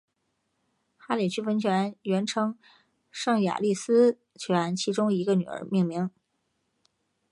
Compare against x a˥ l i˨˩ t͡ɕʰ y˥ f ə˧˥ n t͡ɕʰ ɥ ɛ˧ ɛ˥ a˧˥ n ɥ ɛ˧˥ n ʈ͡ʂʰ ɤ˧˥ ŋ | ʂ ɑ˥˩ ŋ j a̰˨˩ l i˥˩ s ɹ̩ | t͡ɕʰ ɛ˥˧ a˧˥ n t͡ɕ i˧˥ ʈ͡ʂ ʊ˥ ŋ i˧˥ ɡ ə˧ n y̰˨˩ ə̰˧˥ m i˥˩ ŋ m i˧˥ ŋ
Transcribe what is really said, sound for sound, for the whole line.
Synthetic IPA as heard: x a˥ l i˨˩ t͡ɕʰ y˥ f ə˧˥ n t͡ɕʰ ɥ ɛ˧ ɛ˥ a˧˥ n ɥ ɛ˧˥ n ʈ͡ʂʰ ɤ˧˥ ŋ | ʂ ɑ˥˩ ŋ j a̰˨˩ l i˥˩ s ɹ̩ | t͡ɕʰ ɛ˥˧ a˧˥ n t͡ɕʰ i˧˥ ʈ͡ʂ ʊ˥ ŋ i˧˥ ɡ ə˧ n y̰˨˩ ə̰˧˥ m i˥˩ ŋ m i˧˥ ŋ

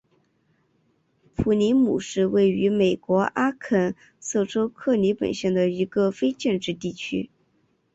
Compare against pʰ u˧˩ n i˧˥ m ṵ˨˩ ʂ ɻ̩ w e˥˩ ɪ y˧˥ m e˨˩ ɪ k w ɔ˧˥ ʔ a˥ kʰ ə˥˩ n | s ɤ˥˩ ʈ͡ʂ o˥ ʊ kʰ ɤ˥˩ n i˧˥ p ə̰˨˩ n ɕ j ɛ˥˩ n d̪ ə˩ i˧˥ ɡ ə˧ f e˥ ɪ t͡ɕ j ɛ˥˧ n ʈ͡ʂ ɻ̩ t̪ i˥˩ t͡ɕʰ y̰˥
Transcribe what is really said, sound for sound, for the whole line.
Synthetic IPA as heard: pʰ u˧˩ n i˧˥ m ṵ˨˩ ʂ ɻ̩ w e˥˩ ɪ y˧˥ m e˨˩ ɪ k w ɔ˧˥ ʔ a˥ kʰ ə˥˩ n | s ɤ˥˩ ʈ͡ʂ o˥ ʊ kʰ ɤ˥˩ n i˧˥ p ə̰˨˩ n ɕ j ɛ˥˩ n d̪ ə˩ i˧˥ ɡ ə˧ f e˥ ɪ t͡ɕ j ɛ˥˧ n ʈ͡ʂ ɻ̩ t̪ i˥˩ t͡ɕʰ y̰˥

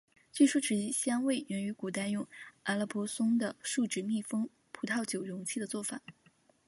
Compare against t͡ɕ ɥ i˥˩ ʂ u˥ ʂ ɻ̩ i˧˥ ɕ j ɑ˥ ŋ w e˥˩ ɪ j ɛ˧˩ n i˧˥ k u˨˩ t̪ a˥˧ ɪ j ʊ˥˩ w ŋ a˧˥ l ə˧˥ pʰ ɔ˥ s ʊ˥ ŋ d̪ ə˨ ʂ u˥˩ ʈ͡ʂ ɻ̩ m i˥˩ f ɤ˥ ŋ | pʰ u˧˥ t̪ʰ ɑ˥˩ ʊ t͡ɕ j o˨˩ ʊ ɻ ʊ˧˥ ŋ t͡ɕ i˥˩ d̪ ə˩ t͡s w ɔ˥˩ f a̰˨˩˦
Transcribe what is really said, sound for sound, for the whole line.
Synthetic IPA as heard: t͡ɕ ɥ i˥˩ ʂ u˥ ʈ͡ʂ ɻ̩ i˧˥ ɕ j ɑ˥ ŋ w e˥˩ ɪ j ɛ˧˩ n y˧˥ k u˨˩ t̪ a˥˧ ɪ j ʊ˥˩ ŋ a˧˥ l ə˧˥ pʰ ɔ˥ s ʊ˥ ŋ d̪ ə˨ ʂ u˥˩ ʈ͡ʂ ɻ̩ m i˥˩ f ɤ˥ ŋ | pʰ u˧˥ t̪ʰ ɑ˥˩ ʊ t͡ɕ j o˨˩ ʊ ɻ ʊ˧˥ ŋ t͡ɕʰ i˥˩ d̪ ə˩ t͡s w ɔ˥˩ f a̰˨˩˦

